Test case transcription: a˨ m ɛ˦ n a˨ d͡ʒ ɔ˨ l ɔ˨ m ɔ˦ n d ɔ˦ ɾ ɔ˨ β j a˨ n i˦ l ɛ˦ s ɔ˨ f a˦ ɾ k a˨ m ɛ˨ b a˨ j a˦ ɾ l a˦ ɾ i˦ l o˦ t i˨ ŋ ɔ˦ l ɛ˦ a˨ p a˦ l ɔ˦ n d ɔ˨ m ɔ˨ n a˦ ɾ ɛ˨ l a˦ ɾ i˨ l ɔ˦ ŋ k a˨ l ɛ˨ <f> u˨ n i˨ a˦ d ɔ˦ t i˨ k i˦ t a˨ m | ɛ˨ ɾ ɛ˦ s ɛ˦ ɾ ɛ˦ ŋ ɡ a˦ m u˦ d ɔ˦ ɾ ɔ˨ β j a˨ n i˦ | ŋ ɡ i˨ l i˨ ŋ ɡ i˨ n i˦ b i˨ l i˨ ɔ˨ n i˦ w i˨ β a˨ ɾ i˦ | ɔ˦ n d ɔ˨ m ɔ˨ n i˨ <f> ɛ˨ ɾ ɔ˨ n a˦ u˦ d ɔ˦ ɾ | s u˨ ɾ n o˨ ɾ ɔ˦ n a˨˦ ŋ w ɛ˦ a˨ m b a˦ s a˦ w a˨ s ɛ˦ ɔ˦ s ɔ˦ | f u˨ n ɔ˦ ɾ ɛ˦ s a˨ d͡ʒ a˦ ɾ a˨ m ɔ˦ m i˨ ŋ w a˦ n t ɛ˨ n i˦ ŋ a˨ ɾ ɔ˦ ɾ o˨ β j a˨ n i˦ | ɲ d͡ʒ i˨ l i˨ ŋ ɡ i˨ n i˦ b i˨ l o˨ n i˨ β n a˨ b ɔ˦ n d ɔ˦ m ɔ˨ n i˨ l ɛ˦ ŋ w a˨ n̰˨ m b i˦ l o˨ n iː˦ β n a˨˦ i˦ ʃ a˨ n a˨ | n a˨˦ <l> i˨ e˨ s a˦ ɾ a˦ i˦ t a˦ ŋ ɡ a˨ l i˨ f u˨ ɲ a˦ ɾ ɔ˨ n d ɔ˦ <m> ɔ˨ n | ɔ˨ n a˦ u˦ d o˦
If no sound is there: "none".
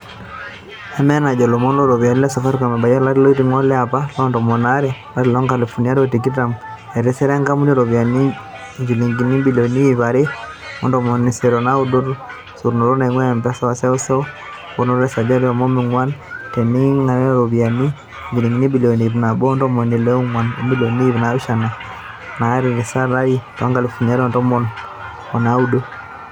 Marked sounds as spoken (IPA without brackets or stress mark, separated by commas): f, s, ɾ, m